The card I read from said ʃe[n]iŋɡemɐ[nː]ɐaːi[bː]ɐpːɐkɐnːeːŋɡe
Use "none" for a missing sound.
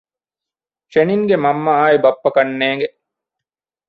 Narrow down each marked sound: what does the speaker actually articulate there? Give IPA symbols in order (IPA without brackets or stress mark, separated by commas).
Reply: n, mː, b